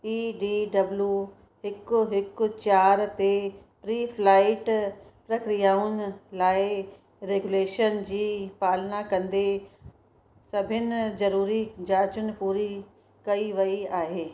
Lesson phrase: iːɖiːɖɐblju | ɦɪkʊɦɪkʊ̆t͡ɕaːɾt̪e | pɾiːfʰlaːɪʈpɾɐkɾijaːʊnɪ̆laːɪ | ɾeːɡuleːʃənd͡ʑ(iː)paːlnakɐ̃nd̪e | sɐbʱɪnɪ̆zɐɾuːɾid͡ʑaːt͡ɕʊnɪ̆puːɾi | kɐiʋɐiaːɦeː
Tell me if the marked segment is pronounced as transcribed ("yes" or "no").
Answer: yes